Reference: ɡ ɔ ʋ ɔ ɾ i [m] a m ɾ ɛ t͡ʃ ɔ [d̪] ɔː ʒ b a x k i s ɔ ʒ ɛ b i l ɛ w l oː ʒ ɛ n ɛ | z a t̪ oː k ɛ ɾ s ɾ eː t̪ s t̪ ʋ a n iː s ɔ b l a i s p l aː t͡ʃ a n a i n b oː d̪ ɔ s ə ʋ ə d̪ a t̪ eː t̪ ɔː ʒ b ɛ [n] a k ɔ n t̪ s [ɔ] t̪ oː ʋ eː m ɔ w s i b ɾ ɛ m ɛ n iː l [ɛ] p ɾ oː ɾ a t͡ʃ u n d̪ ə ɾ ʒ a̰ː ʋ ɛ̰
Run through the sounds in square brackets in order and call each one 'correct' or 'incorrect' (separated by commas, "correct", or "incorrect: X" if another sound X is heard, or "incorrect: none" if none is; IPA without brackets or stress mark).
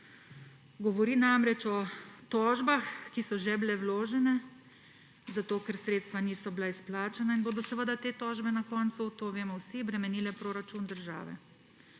incorrect: n, incorrect: t̪, correct, incorrect: u, correct